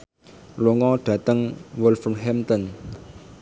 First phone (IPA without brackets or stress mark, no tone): l